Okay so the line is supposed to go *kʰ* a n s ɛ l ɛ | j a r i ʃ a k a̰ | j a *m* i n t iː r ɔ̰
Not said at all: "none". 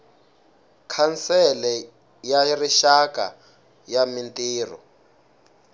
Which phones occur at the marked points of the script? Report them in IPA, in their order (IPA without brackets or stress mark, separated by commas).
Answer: kʰ, m